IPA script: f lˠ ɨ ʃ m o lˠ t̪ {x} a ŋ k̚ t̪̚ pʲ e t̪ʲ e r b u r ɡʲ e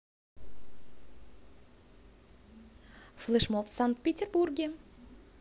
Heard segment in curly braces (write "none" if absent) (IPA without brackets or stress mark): s